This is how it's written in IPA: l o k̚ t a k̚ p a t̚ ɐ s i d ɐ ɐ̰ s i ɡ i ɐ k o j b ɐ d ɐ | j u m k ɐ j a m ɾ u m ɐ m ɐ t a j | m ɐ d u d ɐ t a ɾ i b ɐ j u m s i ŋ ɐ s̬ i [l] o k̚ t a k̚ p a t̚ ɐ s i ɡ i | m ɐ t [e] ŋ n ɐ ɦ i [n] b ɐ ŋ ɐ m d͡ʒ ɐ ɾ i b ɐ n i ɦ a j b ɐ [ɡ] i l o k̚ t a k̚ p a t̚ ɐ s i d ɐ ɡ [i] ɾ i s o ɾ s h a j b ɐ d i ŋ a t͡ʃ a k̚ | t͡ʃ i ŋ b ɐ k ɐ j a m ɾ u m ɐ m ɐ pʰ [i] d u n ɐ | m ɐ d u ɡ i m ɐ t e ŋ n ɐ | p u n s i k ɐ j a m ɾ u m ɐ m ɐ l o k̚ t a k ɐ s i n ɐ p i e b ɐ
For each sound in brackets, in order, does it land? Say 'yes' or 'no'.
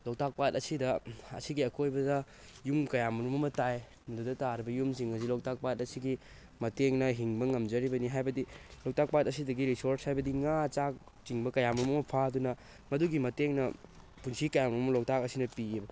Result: yes, yes, no, no, yes, no

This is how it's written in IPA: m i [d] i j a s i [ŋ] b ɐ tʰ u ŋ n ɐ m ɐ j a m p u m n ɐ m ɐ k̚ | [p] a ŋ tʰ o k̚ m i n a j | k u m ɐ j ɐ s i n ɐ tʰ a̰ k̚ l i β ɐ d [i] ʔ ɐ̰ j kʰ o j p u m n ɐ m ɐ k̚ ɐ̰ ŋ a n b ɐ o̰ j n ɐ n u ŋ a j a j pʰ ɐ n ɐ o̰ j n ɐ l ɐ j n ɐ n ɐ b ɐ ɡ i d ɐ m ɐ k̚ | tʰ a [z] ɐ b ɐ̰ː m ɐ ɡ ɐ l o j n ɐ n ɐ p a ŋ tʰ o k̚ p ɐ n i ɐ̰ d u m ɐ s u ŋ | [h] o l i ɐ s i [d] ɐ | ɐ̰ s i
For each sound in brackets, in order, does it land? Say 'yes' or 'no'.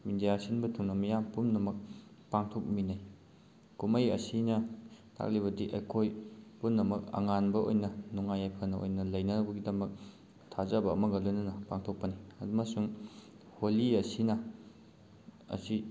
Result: yes, no, yes, yes, yes, yes, no

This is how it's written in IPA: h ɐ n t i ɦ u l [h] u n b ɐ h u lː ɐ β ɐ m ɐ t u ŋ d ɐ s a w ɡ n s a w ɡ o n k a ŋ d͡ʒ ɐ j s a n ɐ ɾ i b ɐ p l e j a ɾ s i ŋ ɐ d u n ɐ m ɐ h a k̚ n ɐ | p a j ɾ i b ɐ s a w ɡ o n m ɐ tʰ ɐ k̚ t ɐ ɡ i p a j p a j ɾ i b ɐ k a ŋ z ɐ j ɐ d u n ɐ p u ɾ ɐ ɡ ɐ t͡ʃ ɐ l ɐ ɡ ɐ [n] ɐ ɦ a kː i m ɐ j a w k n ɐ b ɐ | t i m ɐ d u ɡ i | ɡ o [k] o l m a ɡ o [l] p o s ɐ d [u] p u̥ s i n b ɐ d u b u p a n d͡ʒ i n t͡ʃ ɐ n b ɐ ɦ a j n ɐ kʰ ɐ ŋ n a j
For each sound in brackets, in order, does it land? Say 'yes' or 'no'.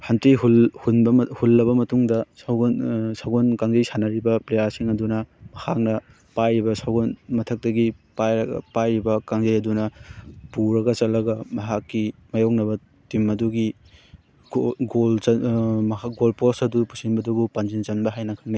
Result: yes, no, no, yes, yes

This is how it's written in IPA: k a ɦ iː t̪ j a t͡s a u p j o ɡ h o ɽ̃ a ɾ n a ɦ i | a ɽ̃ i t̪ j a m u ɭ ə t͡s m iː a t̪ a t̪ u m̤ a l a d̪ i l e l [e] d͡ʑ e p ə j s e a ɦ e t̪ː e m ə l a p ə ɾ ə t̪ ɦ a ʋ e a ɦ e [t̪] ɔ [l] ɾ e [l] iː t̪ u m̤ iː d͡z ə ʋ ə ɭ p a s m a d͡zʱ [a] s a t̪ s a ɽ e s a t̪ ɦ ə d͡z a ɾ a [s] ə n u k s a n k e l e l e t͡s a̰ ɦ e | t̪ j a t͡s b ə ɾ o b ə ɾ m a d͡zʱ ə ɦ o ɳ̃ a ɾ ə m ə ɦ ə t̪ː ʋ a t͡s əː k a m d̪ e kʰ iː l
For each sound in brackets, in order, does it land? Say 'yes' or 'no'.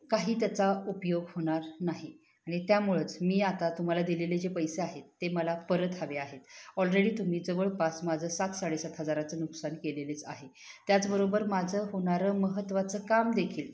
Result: yes, yes, yes, no, no, no

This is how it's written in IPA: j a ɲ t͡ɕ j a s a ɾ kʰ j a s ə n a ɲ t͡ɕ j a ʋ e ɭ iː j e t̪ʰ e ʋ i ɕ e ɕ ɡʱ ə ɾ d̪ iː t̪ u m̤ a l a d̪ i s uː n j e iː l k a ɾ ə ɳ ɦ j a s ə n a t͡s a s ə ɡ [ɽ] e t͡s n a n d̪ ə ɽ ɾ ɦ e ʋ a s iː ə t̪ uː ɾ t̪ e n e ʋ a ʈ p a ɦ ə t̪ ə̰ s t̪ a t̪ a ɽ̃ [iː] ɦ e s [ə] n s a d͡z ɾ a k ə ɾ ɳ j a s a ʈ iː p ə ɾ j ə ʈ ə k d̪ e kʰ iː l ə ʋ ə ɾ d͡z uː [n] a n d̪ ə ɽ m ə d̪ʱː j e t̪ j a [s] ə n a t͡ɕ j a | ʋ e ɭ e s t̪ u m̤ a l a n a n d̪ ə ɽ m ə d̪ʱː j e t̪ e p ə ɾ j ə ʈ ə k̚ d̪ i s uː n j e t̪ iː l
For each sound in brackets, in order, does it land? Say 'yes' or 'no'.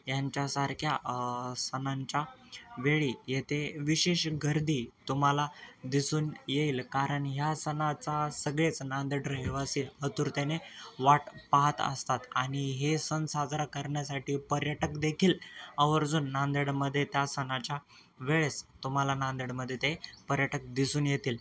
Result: no, no, yes, no, yes

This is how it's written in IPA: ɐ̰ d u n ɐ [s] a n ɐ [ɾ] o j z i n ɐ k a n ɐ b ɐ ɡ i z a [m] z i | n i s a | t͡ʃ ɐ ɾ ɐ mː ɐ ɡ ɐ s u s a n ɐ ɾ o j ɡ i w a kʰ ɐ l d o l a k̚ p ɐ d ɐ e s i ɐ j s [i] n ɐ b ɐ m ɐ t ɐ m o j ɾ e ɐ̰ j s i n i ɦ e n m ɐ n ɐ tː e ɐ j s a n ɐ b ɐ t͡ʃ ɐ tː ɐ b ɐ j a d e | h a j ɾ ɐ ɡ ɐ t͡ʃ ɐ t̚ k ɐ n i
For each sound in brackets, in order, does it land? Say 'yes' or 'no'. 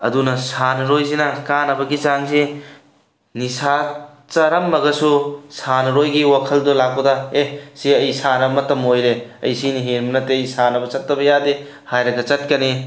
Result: yes, yes, no, no

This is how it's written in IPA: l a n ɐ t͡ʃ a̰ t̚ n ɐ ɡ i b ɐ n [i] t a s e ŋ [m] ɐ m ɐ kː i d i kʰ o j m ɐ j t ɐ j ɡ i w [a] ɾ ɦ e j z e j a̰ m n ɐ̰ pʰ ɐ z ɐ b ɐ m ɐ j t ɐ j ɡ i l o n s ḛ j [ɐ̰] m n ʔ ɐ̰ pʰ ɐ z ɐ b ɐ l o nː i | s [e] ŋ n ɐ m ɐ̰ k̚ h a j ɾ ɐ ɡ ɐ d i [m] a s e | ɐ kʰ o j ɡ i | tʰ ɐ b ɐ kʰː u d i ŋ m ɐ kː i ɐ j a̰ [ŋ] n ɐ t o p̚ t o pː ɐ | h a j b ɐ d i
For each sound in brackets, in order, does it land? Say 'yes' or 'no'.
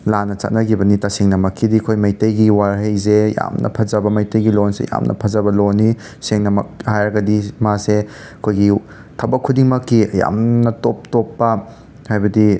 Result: yes, no, yes, no, yes, yes, no

